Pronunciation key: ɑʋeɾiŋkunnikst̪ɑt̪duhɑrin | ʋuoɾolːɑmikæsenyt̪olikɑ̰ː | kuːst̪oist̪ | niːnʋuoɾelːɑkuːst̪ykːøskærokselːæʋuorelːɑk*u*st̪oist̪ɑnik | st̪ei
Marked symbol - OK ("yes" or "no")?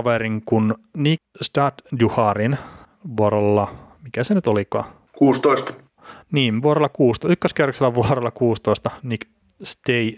no